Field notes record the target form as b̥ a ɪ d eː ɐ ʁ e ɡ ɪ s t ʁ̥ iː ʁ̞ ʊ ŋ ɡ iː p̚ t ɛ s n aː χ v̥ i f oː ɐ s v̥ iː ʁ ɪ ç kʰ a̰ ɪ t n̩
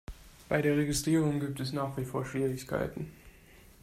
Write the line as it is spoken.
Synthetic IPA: b̥ a ɪ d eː ɐ ʁ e ɡ ɪ s t ʁ̥ iː ʁ̞ ʊ ŋ ɡ iː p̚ t ɛ s n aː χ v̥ i f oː ɐ ʃ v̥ iː ʁ ɪ ç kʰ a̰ ɪ t n̩